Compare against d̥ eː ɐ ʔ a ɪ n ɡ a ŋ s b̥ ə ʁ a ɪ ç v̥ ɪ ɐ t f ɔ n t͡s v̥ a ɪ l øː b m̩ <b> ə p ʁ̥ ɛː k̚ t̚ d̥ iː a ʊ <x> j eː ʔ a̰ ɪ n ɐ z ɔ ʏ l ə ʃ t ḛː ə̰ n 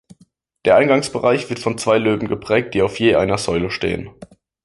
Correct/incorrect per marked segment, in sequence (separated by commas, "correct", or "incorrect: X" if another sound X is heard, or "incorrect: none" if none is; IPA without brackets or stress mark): incorrect: ɡ, incorrect: f